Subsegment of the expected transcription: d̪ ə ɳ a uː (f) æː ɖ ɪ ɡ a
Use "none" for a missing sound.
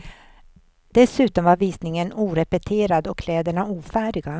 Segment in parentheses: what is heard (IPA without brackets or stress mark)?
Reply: f